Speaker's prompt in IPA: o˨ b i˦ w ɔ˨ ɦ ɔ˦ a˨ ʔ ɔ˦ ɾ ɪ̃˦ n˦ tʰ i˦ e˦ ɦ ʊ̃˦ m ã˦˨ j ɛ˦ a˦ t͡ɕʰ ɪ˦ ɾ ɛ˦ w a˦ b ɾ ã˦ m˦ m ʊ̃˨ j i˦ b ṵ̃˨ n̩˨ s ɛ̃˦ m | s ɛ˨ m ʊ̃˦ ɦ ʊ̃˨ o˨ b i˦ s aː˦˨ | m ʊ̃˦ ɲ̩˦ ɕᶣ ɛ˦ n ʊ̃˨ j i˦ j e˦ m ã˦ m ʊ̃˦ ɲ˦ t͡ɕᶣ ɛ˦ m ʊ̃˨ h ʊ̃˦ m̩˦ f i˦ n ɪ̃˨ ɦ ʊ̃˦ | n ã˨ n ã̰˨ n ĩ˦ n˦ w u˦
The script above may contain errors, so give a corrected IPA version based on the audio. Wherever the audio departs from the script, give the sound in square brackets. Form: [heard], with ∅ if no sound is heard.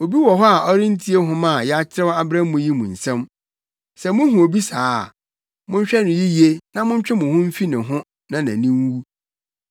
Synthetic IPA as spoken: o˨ b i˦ w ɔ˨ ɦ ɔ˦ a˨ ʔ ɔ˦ ɾ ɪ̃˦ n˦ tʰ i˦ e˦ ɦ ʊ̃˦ m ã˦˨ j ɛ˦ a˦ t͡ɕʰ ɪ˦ ɾ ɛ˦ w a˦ b ɾ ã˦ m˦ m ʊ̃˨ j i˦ [m] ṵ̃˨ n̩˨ s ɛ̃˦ m | s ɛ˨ m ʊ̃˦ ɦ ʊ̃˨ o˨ b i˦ s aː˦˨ | m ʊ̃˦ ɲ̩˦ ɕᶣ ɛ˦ n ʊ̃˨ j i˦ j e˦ [n] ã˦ m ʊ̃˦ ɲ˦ t͡ɕᶣ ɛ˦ m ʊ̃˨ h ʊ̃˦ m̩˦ f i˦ n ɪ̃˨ ɦ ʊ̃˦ | n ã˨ n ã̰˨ n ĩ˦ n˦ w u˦